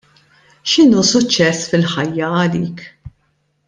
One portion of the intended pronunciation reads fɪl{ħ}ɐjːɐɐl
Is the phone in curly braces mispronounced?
no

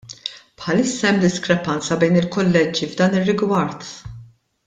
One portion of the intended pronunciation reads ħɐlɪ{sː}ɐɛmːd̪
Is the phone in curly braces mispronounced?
no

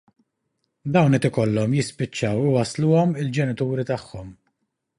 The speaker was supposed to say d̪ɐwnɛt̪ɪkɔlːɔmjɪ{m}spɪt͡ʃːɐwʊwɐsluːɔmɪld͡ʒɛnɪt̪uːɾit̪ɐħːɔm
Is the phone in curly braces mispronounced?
yes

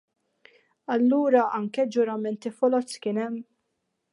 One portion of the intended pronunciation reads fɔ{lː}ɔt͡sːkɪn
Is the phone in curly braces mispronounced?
yes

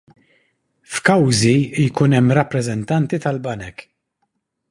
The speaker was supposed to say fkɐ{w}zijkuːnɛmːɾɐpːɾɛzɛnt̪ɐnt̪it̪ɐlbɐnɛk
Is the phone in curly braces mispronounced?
no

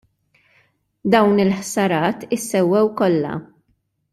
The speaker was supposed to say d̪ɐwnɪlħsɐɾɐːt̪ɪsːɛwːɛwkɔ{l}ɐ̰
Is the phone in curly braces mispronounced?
yes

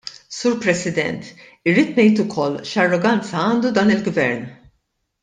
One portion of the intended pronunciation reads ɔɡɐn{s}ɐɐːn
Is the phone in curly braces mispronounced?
yes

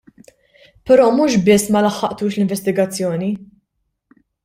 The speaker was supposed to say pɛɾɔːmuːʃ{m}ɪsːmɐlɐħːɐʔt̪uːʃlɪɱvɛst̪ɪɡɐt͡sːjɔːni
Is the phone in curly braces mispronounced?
yes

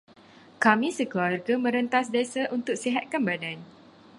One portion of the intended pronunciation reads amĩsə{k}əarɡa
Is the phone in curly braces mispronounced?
no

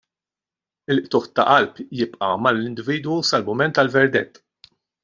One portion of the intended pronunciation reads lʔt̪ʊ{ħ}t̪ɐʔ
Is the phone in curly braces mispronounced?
no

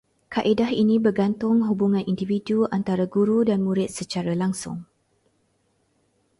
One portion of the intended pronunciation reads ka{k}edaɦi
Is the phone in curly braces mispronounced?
yes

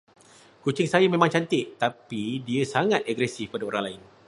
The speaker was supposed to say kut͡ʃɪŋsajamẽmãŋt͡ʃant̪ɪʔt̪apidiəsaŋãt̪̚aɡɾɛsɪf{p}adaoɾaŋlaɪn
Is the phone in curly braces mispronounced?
no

